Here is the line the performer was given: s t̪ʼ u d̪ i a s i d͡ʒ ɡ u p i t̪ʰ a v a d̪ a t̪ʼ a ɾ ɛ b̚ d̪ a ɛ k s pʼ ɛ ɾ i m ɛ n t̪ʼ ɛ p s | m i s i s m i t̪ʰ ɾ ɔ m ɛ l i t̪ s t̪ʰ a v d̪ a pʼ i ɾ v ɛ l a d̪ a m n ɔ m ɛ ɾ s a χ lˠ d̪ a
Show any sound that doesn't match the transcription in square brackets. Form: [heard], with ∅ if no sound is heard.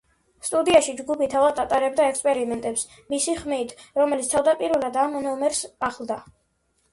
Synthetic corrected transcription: s t̪ʼ u d̪ i a [ʃ] i d͡ʒ ɡ u p i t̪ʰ a v a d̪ a t̪ʼ a ɾ ɛ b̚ d̪ a ɛ k s pʼ ɛ ɾ i m ɛ n t̪ʼ ɛ p s | m i s i [χ] m i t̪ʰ ɾ ɔ m ɛ l i t̪ s t̪ʰ a v d̪ a pʼ i ɾ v ɛ l a d̪ a m n ɔ m ɛ ɾ s a χ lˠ d̪ a